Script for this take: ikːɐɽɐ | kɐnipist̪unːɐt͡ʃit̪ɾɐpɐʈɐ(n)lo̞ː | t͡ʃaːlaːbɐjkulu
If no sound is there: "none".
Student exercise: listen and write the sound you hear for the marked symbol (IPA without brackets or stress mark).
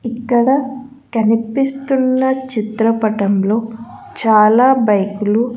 m